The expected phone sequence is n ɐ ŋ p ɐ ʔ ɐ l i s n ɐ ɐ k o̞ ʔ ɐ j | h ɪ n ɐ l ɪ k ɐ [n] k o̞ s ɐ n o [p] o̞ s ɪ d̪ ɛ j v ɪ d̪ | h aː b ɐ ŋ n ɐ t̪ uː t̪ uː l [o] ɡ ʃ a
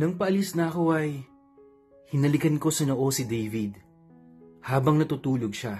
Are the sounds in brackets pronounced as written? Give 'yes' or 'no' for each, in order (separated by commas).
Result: yes, no, yes